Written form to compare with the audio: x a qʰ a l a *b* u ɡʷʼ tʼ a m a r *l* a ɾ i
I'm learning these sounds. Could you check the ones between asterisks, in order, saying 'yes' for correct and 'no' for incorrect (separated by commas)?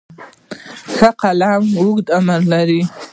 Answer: no, yes